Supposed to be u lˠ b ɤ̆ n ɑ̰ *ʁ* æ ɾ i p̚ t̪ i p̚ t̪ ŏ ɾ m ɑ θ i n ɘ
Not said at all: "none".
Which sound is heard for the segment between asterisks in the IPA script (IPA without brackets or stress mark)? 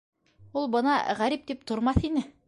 ʁ